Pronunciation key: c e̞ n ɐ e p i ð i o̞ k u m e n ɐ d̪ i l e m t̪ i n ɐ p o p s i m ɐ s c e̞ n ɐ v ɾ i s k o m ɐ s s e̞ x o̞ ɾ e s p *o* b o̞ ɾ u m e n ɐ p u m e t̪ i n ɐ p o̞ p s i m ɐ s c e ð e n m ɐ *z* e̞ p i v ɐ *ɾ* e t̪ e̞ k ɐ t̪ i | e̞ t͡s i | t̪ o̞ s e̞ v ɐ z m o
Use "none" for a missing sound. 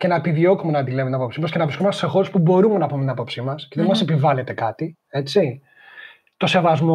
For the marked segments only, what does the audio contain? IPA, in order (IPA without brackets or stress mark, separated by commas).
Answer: u, s, l